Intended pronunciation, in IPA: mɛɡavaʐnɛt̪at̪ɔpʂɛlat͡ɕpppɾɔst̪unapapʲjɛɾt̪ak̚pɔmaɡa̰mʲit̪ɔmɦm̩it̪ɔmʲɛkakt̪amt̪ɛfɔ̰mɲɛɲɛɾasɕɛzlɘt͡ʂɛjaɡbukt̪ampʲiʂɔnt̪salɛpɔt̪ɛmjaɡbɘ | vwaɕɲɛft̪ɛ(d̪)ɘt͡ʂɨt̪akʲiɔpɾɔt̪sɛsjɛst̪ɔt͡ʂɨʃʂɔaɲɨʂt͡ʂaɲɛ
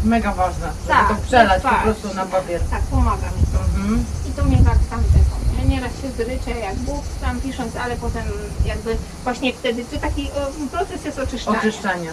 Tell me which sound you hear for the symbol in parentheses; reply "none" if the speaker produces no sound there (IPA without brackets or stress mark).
d̪